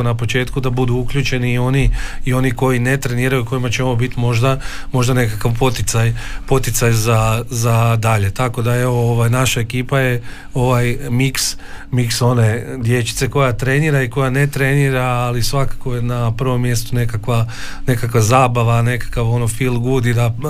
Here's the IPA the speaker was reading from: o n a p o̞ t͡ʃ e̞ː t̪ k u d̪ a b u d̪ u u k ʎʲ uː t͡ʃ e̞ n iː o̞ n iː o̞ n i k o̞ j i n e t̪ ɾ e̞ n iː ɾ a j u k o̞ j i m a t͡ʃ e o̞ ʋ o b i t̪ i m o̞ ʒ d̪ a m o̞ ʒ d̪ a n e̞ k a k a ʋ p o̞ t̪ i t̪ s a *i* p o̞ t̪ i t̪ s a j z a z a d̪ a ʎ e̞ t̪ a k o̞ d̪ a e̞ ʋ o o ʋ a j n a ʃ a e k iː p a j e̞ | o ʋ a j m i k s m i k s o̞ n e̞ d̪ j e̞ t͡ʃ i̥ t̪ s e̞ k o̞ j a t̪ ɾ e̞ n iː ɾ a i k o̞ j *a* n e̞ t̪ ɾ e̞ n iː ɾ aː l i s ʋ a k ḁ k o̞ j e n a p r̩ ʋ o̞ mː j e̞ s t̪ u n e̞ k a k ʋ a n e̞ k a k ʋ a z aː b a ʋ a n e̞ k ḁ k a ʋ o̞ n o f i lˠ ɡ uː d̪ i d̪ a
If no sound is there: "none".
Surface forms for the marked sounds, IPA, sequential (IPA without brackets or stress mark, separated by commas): j, a